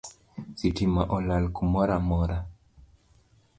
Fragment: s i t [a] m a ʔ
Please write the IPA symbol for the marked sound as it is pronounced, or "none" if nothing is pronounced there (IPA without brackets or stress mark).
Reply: i